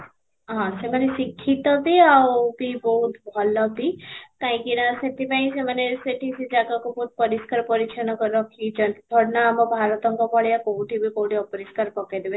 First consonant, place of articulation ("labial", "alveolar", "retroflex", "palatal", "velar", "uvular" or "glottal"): glottal